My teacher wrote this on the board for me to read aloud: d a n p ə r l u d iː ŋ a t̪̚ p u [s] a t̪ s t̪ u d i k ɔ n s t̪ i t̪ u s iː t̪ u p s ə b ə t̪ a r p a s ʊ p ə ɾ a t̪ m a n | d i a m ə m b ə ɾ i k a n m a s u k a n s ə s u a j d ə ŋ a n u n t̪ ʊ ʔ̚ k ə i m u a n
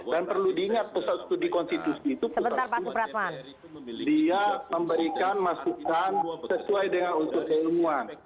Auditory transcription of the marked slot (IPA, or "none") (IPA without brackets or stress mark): s